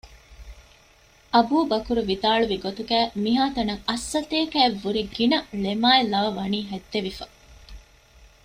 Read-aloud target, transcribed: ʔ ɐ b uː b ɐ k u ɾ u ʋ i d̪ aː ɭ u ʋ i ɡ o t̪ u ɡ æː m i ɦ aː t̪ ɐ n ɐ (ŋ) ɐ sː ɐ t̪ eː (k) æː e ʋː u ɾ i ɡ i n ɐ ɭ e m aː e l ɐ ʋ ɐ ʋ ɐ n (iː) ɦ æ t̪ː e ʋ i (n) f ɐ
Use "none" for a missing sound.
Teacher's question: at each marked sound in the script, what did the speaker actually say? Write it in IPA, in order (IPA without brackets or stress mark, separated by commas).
ŋ, k, iː, none